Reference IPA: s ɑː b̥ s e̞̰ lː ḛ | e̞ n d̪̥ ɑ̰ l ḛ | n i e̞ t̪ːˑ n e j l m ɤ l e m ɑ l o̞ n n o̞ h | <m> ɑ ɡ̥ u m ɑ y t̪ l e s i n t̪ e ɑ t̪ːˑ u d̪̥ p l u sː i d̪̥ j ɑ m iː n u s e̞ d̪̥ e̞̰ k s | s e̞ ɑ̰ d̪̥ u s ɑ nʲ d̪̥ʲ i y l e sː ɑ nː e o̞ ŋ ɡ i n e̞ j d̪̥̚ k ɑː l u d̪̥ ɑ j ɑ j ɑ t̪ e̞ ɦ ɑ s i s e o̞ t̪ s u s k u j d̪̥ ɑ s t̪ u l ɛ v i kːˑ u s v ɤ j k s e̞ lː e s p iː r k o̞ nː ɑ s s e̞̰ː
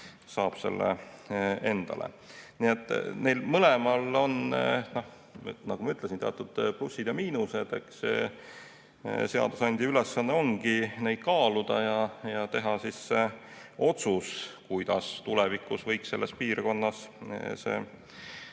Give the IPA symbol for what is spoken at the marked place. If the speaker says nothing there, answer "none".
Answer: n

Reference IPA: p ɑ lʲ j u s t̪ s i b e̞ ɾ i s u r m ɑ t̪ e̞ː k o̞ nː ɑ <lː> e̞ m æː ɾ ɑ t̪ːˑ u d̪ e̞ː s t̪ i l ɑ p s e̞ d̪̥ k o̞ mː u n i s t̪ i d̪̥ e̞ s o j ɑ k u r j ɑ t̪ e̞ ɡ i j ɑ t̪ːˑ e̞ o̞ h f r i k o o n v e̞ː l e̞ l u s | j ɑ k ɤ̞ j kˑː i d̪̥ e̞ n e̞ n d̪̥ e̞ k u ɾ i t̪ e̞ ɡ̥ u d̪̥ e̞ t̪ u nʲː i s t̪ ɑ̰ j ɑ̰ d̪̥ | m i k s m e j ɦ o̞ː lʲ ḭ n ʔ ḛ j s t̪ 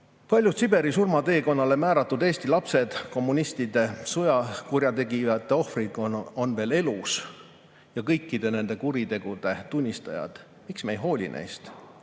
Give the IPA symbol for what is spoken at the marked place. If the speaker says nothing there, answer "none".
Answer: l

